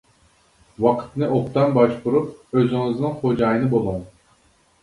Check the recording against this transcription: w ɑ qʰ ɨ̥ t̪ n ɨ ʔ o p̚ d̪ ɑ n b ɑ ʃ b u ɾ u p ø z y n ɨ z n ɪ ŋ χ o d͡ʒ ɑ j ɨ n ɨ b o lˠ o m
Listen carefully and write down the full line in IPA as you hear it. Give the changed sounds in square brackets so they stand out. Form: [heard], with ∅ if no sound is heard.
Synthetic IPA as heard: w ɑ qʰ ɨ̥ t̪ n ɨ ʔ o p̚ [t̪] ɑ n b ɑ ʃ b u ɾ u p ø z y [ŋ] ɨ z n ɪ ŋ χ o d͡ʒ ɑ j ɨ n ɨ b o lˠ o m